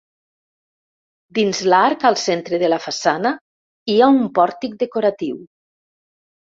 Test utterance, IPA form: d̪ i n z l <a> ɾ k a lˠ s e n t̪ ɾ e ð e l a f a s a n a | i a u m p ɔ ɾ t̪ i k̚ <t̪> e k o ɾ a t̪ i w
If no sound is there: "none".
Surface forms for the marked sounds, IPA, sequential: a, d̪

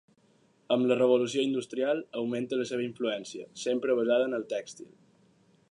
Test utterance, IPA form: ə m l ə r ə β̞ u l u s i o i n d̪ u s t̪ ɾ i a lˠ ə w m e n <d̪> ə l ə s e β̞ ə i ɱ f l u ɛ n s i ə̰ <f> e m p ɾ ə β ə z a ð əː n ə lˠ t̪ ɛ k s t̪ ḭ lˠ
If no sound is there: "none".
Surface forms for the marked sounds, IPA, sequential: t̪, s

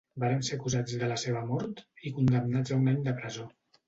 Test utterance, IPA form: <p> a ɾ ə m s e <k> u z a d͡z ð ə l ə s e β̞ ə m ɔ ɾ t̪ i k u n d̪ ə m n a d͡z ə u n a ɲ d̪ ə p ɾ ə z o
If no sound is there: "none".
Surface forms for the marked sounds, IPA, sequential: b, k

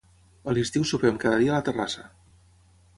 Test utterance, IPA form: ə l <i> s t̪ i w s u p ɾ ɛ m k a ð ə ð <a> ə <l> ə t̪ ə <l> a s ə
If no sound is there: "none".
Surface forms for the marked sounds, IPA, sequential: i, i, l, r

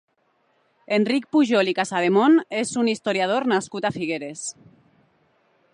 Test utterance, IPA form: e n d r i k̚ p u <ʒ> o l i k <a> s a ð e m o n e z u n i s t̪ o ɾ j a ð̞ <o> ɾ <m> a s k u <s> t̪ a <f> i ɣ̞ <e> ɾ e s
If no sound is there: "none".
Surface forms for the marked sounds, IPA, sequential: ʒ, a, o, n, none, f, e

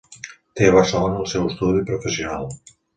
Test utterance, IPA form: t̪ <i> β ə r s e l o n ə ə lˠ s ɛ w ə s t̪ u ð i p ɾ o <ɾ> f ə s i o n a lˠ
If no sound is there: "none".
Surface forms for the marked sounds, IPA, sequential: e, none

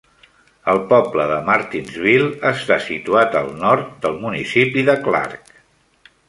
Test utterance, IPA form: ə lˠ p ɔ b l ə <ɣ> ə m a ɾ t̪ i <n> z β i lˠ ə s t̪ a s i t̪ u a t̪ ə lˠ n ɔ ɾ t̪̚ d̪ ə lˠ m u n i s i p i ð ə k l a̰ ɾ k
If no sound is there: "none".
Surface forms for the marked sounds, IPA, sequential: ð, n

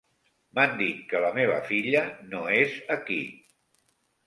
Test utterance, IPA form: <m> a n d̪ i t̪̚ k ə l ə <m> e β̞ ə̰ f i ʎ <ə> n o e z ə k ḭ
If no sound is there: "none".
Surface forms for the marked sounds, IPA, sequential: m, m, ə

